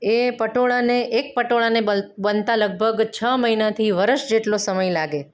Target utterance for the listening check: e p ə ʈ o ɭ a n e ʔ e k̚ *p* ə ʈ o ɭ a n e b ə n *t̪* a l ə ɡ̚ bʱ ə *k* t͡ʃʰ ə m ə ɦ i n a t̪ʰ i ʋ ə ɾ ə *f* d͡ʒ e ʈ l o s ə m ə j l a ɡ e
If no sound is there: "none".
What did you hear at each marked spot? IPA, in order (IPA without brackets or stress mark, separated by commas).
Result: p, t̪, ɡ, ʃ